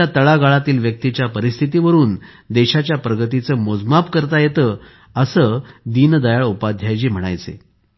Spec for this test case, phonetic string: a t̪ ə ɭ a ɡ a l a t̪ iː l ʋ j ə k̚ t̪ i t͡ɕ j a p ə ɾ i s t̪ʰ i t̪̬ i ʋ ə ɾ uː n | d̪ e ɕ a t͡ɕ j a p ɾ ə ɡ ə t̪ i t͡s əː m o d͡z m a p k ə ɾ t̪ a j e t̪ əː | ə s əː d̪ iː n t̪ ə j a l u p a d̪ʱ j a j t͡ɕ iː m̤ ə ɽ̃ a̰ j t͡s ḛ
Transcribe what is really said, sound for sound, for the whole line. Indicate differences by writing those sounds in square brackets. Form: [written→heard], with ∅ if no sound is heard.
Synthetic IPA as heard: a t̪ ə ɭ a ɡ a [l→ɭ] a t̪ iː l ʋ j ə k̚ t̪ i t͡ɕ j a p ə ɾ i s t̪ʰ i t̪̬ i ʋ ə ɾ uː n | d̪ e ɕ a t͡ɕ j a p ɾ ə ɡ ə t̪ i t͡s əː m o d͡z m a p k ə ɾ t̪ a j e t̪ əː | ə s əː d̪ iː n [t̪→d̪] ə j a [l→ɭ] u p a d̪ʱ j a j t͡ɕ iː m̤ ə ɽ̃ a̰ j t͡s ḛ

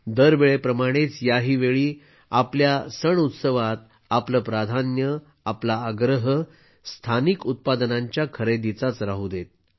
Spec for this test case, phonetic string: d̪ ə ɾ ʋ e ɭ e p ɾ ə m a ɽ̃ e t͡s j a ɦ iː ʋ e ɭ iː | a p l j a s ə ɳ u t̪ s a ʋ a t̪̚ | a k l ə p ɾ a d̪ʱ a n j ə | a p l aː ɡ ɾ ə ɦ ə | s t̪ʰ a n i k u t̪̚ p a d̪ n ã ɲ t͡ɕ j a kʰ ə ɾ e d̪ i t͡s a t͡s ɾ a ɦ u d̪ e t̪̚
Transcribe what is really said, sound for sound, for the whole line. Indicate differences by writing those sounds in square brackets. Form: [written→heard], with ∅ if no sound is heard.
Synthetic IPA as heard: d̪ ə ɾ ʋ e ɭ e p ɾ ə m a ɽ̃ e t͡s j a ɦ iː ʋ e ɭ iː | a p l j a s ə ɳ u t̪ s [a→ə] ʋ a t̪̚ | a [k→p] l ə p ɾ a d̪ʱ a n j ə | a p l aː ɡ ɾ ə ɦ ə | s t̪ʰ a n i k u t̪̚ p a d̪ n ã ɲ t͡ɕ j a kʰ ə ɾ e d̪ i t͡s a t͡s ɾ a ɦ u d̪ e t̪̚

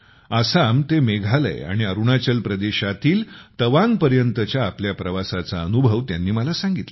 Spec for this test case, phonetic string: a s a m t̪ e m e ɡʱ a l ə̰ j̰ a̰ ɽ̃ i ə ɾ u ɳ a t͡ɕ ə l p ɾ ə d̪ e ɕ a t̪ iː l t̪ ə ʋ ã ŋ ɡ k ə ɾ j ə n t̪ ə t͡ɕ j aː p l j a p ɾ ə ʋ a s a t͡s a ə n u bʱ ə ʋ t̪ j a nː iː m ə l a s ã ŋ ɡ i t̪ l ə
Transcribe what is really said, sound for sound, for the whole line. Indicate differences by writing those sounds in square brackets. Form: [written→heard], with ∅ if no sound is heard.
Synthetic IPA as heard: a s a m t̪ e m e ɡʱ a l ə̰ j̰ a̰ ɽ̃ i ə ɾ u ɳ a t͡ɕ ə l p ɾ ə d̪ e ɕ a t̪ iː l t̪ ə ʋ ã ŋ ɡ [k→p] ə ɾ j ə n t̪ ə t͡ɕ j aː p l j a p ɾ ə ʋ a s a t͡s a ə n u bʱ ə ʋ t̪ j a nː iː m ə l a s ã ŋ ɡ i t̪ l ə

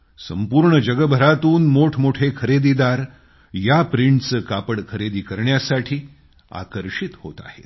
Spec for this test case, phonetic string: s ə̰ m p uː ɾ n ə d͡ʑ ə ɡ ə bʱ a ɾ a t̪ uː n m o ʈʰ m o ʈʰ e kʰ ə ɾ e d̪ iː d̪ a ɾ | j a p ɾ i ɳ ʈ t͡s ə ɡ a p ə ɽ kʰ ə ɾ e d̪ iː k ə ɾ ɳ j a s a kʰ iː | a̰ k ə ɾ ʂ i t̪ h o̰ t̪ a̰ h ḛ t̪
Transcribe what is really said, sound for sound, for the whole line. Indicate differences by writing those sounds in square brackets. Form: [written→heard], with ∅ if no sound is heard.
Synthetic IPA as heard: s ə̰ m p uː ɾ [n→ɳ] ə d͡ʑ ə ɡ ə bʱ [a→ə] ɾ a t̪ uː n m o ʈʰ m o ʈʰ e kʰ ə ɾ e d̪ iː d̪ a ɾ | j a p ɾ i ɳ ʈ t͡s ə [ɡ→k] a p ə ɽ kʰ ə ɾ e d̪ iː k ə ɾ ɳ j a s a [kʰ→ʈʰ] iː | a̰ k ə ɾ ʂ i t̪ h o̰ t̪ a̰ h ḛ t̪

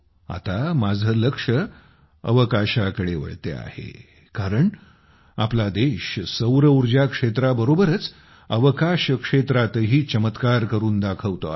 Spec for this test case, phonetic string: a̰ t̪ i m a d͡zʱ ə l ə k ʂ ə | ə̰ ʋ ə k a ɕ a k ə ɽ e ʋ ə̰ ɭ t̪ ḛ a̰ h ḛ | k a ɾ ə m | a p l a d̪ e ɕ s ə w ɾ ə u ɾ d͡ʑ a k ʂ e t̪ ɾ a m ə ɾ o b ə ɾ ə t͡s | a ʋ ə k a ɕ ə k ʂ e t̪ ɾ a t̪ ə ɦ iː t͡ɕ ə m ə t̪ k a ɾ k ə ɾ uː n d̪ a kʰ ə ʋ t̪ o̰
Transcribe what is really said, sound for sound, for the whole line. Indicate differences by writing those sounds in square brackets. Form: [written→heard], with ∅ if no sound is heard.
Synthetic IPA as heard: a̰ t̪ [i→a] m a d͡zʱ ə l ə k ʂ ə | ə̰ ʋ ə k a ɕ a k ə ɽ e ʋ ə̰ ɭ t̪ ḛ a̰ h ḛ | k a ɾ ə [m→ɳ] | a p l a d̪ e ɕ s ə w ɾ ə u ɾ d͡ʑ a k ʂ e t̪ ɾ a [m→b] ə ɾ o b ə ɾ ə t͡s | [a→ə] ʋ ə k a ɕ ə k ʂ e t̪ ɾ a t̪ ə ɦ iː t͡ɕ ə m ə t̪ k a ɾ k ə ɾ uː n d̪ a kʰ ə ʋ t̪ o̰

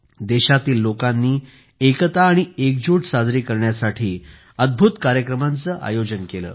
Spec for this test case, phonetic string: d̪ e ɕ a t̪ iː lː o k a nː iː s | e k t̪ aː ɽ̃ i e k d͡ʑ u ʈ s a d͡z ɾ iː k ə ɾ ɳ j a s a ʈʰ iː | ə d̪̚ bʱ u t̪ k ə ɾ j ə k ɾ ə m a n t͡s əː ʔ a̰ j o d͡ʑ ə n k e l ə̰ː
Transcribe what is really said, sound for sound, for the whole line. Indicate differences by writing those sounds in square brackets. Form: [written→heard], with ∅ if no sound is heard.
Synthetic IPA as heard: d̪ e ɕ a t̪ iː lː o k a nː iː [s→∅] | e k t̪ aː ɽ̃ i e k d͡ʑ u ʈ s a d͡z ɾ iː k ə ɾ ɳ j a s a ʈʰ iː | ə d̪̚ bʱ u t̪ k [ə→a] ɾ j ə k ɾ ə m a n t͡s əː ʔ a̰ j o d͡ʑ ə n k e l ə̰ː

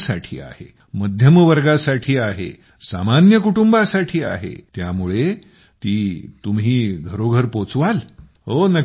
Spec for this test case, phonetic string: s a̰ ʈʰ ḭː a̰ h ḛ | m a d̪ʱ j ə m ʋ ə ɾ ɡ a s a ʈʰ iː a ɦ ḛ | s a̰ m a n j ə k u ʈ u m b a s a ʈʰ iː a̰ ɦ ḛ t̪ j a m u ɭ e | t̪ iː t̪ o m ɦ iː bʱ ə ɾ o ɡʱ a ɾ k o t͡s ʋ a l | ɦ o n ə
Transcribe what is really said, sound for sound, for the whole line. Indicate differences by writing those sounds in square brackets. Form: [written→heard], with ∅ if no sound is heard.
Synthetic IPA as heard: s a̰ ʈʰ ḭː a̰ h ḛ | m [a→ə] d̪ʱ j ə m ʋ ə ɾ ɡ a s a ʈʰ iː a ɦ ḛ | s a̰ m a n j ə k u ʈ u m b a s a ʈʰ iː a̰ ɦ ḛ t̪ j a m u ɭ e | t̪ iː t̪ [o→u] m ɦ iː [bʱ→ɡʱ] ə ɾ o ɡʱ [a→ə] ɾ [k→p] o t͡s ʋ a l | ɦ o n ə

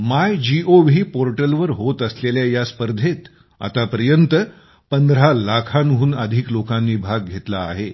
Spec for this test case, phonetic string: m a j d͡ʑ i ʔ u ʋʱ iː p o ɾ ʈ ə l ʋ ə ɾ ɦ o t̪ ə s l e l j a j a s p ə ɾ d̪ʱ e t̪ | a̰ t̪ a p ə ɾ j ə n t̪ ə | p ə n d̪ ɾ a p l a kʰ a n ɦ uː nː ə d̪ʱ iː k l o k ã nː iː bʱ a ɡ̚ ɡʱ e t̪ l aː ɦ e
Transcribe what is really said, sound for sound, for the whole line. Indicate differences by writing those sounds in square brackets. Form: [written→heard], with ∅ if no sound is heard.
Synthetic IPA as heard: m a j d͡ʑ i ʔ [u→o] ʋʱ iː p o ɾ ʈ ə l ʋ ə ɾ ɦ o t̪ ə s l e l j a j a s p ə ɾ d̪ʱ e t̪ | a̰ t̪ a p ə ɾ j ə n t̪ ə | p ə n d̪ ɾ a [p→∅] l a kʰ a n ɦ uː [nː→n] ə d̪ʱ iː k l o k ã nː iː bʱ a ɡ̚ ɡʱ e t̪ l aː ɦ e

